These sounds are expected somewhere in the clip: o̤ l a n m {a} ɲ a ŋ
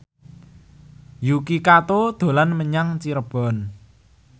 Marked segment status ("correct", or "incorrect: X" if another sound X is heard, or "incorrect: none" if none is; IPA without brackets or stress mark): incorrect: ə